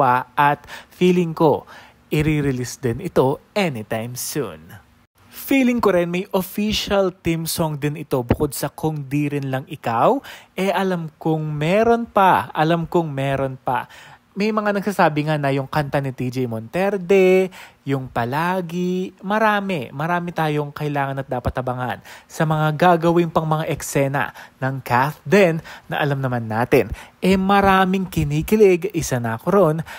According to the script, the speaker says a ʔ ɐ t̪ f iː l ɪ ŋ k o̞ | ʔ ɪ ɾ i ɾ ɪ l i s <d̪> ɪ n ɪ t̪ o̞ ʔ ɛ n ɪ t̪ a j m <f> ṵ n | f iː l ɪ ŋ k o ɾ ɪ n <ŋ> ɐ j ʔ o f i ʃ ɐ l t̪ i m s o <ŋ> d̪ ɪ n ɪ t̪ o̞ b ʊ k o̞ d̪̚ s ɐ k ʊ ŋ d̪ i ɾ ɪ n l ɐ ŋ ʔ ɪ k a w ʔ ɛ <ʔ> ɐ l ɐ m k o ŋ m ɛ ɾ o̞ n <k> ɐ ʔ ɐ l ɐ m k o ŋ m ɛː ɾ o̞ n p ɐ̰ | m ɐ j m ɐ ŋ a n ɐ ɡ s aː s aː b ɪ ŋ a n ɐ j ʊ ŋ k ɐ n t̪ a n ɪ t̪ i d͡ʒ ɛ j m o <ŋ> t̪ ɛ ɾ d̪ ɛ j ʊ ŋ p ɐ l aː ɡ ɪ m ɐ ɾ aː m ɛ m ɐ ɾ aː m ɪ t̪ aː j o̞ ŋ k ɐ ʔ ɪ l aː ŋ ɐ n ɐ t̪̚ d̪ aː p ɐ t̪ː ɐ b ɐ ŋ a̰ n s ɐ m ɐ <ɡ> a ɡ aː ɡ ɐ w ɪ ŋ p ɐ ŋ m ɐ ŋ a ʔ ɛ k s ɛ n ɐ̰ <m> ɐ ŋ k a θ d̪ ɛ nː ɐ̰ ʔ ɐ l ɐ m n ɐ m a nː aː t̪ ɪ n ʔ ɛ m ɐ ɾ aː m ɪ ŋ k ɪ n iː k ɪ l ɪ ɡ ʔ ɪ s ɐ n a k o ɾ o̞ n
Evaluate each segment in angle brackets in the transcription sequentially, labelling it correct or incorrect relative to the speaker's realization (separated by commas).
correct, incorrect, incorrect, correct, correct, incorrect, incorrect, incorrect, incorrect